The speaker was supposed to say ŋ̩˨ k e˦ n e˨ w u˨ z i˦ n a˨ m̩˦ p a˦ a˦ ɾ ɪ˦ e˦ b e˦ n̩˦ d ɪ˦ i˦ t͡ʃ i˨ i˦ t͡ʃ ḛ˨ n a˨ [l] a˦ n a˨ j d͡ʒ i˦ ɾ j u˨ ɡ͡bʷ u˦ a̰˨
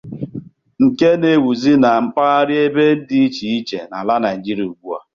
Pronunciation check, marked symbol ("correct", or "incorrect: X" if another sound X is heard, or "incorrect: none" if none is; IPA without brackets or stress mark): correct